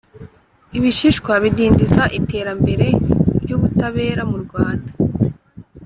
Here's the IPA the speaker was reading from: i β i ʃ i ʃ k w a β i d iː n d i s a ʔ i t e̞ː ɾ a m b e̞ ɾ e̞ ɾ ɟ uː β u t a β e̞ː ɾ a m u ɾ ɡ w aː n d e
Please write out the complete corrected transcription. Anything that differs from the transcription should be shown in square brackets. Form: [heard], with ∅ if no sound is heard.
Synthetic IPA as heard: i β i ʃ i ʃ k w a β i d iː n d i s a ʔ i t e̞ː ɾ a m b e̞ ɾ e̞ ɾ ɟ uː β u t a β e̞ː ɾ a m u ɾ ɡ w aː n d [a]